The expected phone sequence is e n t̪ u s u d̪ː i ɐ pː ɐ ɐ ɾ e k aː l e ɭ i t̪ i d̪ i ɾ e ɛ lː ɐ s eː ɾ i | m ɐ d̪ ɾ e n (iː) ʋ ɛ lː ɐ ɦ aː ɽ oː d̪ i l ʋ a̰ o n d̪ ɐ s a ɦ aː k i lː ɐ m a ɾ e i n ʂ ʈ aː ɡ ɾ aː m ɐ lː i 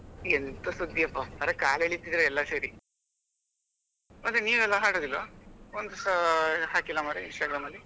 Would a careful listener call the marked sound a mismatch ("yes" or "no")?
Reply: no